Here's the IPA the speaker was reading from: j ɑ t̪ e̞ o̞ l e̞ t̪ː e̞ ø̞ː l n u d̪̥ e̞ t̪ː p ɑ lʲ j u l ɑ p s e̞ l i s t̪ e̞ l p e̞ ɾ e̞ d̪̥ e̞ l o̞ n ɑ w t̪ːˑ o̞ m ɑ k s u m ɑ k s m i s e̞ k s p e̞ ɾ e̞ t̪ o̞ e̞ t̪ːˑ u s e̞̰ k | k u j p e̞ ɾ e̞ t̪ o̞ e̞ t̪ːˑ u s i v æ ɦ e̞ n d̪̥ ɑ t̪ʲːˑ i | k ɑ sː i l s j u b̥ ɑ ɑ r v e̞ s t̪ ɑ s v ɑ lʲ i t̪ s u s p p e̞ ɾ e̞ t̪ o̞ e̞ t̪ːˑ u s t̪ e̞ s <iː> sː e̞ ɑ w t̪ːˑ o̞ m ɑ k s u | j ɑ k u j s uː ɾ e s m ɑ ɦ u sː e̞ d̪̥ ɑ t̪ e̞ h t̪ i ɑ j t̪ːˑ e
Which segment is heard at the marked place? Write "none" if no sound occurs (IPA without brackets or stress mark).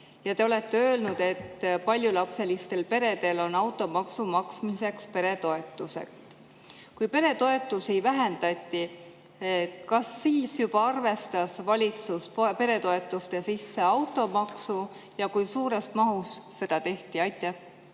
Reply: i